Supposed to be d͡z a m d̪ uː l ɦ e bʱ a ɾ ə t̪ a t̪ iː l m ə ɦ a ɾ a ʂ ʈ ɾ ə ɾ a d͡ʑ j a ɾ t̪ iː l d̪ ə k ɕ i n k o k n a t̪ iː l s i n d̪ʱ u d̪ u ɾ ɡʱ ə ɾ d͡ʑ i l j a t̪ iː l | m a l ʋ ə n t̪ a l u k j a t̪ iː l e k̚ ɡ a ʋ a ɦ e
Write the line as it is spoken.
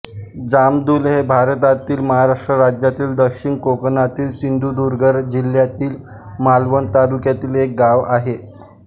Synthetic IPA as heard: d͡z a m d̪ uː l ɦ e bʱ a ɾ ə t̪ a t̪ iː l m ə ɦ a ɾ a ʂ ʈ ɾ ə ɾ a d͡ʑ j a t̪ iː l d̪ ə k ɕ i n k o k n a t̪ iː l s i n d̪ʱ u d̪ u ɾ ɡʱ ə ɾ d͡ʑ i l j a t̪ iː l | m a l ʋ ə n t̪ a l u k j a t̪ iː l e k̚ ɡ a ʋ a ɦ e